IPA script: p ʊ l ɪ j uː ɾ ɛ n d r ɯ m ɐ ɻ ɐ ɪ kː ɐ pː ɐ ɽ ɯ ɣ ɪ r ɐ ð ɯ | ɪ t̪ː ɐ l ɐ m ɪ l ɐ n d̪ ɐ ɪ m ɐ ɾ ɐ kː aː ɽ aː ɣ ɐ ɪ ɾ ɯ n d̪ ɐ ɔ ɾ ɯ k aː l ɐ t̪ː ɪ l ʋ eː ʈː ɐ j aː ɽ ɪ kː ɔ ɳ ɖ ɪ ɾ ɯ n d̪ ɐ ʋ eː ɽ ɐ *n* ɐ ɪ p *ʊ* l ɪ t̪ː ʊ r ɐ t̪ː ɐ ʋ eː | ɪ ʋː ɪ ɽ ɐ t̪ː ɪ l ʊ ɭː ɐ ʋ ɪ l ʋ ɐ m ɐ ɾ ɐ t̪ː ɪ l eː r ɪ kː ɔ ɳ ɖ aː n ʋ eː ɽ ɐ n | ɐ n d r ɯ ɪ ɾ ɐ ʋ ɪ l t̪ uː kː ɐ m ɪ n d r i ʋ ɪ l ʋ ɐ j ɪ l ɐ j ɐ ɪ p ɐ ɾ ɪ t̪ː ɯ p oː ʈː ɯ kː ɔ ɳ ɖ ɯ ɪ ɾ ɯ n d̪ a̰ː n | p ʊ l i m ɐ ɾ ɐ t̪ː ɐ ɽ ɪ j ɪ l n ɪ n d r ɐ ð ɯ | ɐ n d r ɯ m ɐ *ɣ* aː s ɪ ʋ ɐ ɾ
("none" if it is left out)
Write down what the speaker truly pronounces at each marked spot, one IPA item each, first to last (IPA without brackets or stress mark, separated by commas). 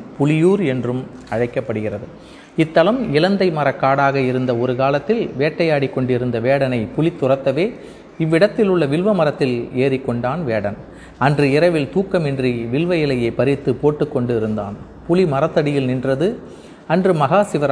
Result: n, ʊ, ɣ